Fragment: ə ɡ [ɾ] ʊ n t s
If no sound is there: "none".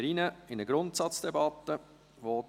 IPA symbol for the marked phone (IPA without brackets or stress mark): ɾ